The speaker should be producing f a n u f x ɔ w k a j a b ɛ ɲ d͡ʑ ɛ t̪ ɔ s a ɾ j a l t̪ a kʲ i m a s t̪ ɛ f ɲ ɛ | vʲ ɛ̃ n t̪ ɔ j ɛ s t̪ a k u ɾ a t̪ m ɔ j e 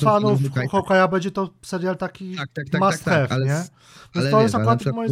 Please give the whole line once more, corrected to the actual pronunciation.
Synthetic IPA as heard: f a n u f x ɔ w k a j a b ɛ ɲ d͡ʑ ɛ t̪ ɔ s ɛ ɾ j a l t̪ a kʲ i m a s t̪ ɛ f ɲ ɛ | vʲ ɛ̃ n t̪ ɔ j ɛ s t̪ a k u ɾ a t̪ m ɔ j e